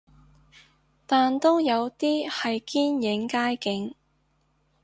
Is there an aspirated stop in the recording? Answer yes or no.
no